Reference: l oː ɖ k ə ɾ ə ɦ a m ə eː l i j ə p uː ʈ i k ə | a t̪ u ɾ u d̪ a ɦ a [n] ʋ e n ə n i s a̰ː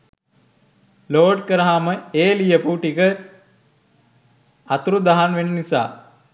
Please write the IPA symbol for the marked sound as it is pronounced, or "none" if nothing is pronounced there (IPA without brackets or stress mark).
n